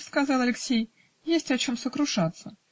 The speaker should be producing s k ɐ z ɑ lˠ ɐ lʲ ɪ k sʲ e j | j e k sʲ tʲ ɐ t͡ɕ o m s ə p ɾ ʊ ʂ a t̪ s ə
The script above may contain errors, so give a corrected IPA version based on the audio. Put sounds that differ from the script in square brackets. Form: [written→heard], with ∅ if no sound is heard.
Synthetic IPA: s k ɐ z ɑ lˠ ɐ lʲ ɪ k sʲ e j | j e [k→∅] sʲ tʲ ɐ t͡ɕ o m s ə [p→k] ɾ ʊ ʂ a t̪ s ə